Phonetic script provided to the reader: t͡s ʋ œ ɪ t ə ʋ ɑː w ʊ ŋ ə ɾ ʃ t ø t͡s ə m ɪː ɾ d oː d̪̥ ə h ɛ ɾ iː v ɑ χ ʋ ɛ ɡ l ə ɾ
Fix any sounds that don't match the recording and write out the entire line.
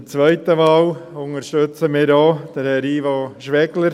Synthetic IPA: t͡s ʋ œ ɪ t ə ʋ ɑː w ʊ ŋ ə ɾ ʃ t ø t͡s ə m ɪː ɾ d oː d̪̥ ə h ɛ ɾ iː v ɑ ʃ ʋ ɛ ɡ l ə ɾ